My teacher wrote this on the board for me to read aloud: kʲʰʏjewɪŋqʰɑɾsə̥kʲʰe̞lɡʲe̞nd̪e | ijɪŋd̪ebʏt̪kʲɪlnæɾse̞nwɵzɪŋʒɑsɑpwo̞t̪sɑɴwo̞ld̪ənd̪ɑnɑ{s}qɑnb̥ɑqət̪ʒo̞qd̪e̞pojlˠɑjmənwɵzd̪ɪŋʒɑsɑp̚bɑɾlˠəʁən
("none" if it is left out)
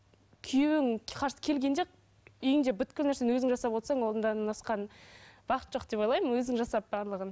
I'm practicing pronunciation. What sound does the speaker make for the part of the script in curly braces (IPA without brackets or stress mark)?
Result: s